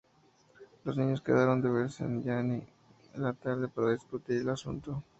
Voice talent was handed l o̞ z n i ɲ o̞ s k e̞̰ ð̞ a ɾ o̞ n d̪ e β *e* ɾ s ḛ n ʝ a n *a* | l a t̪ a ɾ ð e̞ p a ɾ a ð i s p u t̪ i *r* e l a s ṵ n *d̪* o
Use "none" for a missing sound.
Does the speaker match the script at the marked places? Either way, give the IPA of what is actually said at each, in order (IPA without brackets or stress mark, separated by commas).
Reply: e, i, ɾ, t̪